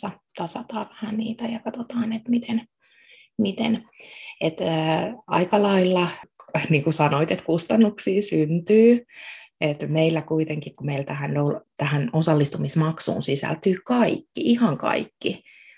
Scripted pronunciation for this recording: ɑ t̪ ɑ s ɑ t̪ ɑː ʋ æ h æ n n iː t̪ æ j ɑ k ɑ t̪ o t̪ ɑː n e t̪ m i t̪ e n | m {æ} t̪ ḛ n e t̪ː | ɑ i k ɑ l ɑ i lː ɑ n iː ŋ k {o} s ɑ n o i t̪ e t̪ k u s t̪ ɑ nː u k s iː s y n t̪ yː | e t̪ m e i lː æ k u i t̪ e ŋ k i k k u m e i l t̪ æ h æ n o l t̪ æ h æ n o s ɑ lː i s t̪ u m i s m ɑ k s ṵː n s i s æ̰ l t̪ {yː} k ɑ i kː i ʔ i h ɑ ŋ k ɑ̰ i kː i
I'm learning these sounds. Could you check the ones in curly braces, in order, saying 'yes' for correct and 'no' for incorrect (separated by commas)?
no, no, yes